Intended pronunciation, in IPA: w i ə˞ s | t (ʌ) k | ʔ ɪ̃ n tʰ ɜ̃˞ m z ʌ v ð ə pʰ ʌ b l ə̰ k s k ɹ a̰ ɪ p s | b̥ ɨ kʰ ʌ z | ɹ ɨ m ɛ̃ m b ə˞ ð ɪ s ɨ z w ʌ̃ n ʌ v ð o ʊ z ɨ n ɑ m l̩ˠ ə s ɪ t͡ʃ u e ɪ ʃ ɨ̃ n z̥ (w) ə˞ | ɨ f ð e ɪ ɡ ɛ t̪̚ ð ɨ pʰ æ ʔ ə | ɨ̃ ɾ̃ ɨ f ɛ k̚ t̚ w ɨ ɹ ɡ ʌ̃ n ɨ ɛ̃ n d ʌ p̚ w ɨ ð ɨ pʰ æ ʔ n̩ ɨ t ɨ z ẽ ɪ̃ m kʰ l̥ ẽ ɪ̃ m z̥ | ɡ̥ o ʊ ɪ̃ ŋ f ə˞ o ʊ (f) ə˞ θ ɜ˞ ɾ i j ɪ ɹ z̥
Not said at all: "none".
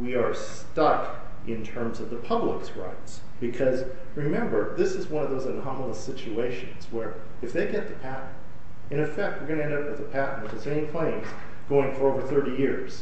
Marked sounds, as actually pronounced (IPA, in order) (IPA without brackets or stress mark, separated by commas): ʌ, w, v